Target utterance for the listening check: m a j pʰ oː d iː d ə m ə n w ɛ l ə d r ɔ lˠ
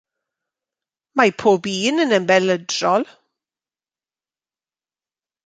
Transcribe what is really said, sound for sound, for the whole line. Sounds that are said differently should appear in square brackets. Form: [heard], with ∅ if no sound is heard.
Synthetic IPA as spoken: m a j pʰ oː [b] iː [n] ə [n] ə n [b] ɛ l ə d r ɔ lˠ